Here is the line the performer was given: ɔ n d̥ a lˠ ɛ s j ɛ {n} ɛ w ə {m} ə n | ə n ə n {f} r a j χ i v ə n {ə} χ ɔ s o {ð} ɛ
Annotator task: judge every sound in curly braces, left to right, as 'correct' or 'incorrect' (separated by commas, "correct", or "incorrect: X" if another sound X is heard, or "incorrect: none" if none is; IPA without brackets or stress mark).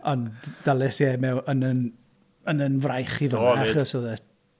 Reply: incorrect: m, incorrect: n, incorrect: v, incorrect: a, correct